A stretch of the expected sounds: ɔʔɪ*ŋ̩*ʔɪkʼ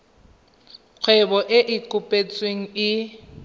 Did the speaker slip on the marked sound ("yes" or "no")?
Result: yes